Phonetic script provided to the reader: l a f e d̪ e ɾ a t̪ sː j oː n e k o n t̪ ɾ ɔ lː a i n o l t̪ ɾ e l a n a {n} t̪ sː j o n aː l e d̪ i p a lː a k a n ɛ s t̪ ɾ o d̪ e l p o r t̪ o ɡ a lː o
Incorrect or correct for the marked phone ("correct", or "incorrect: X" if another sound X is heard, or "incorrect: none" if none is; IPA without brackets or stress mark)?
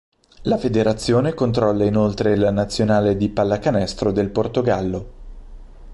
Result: incorrect: none